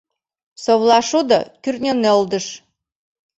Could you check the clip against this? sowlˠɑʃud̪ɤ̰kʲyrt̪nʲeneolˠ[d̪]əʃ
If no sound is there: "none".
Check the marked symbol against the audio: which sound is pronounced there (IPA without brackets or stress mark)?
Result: d̪